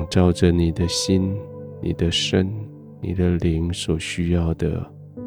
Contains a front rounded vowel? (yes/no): yes